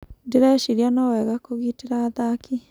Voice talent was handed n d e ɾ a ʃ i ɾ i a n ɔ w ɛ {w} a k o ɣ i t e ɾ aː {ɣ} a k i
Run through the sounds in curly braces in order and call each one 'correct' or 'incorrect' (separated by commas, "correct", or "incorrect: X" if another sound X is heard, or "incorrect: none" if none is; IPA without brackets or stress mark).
incorrect: ɣ, incorrect: ð